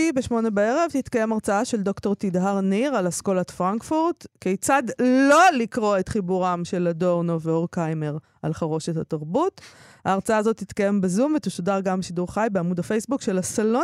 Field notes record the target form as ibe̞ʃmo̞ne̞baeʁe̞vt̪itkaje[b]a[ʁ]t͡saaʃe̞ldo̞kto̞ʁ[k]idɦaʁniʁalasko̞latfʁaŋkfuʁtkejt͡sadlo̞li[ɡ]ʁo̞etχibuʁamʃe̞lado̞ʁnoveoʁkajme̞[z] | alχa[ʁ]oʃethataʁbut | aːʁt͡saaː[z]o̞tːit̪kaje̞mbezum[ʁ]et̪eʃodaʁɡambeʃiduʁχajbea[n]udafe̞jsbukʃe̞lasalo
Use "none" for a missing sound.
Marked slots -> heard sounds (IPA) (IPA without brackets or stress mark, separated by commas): m, ʁ, t, k, ʁ, ʁ, z, v, m